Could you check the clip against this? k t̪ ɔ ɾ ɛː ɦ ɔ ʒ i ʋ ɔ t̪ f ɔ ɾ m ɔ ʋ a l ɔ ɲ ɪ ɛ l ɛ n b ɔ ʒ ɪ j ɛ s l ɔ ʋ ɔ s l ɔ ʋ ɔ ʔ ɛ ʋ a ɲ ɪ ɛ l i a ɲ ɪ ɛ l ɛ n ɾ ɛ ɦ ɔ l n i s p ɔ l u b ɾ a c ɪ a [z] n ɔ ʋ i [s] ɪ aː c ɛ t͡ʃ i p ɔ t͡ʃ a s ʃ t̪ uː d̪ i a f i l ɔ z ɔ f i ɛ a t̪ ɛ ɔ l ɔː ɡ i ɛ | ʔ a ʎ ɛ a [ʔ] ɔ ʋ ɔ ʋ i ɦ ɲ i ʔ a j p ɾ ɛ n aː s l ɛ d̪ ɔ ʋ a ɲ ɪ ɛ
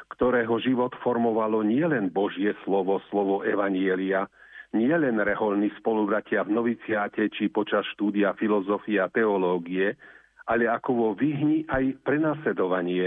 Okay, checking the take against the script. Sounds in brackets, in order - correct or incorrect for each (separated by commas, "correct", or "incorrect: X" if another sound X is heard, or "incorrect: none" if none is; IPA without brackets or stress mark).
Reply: incorrect: v, incorrect: t͡s, incorrect: k